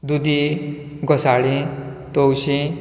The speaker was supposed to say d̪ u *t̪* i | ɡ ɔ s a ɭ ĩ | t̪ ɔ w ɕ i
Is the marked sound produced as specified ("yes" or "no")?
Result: no